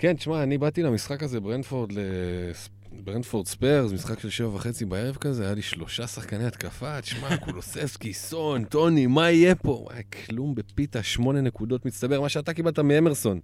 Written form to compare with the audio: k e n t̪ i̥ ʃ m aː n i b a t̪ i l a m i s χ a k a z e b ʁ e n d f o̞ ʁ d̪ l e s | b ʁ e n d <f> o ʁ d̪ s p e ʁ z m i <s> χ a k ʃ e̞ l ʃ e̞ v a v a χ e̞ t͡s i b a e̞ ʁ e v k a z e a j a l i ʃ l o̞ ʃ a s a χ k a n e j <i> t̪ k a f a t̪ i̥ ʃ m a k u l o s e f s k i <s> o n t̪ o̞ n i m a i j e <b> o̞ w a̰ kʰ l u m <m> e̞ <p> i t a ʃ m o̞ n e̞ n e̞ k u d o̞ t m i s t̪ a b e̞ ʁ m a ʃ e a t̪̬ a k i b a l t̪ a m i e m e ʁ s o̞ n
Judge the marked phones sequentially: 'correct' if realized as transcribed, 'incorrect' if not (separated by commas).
correct, correct, incorrect, correct, incorrect, incorrect, correct